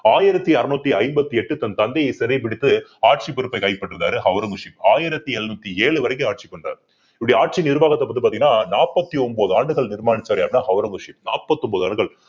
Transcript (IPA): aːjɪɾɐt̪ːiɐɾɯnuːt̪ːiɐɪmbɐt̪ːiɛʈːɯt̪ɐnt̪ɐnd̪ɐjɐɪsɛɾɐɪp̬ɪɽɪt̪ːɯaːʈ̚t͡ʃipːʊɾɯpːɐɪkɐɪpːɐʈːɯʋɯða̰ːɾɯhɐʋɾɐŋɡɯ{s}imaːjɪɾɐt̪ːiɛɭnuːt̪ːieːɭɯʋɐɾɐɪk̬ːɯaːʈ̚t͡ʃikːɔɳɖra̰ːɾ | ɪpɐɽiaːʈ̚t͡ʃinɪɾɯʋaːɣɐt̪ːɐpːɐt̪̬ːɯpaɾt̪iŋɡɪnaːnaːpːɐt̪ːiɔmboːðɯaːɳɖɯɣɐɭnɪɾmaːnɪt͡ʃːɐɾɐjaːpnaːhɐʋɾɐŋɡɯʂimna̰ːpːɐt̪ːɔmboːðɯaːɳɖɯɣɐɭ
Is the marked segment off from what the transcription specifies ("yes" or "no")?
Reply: yes